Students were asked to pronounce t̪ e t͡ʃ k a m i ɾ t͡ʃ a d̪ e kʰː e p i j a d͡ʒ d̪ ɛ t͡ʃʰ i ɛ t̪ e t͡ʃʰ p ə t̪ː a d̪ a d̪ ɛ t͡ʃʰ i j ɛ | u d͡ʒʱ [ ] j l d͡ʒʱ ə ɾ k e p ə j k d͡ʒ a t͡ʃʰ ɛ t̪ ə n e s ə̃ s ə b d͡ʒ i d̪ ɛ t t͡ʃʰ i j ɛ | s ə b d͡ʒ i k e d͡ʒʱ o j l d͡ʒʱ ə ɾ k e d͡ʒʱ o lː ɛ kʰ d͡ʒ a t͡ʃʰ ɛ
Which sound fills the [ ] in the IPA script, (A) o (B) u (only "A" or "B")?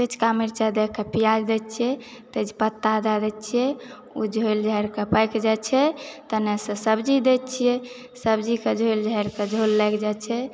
A